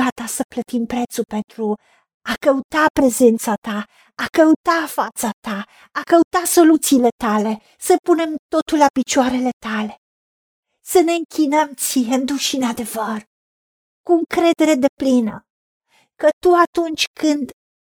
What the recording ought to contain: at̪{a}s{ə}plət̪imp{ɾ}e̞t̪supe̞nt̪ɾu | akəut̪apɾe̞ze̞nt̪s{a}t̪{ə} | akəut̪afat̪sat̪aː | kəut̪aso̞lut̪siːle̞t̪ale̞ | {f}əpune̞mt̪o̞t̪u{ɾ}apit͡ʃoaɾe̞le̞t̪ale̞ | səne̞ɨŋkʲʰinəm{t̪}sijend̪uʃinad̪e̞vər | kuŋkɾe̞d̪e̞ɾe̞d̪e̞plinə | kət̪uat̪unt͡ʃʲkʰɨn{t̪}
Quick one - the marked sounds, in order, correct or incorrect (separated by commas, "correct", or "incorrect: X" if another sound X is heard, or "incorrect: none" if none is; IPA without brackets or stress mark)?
correct, correct, correct, correct, incorrect: a, incorrect: s, incorrect: l, correct, incorrect: d̪